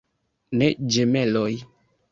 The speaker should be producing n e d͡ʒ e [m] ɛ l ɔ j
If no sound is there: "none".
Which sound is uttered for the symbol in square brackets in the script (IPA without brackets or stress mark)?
m